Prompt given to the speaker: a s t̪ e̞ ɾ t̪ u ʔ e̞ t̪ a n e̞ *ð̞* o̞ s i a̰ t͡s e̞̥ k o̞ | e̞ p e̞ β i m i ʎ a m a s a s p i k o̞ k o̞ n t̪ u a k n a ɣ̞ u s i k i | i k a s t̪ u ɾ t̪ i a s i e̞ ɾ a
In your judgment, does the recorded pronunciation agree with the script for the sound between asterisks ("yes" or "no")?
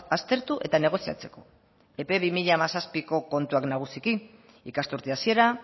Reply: no